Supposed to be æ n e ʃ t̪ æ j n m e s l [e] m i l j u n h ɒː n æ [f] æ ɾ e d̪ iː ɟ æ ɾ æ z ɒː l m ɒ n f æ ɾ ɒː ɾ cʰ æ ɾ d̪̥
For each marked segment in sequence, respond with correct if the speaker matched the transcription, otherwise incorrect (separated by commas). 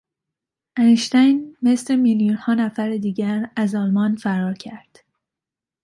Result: correct, correct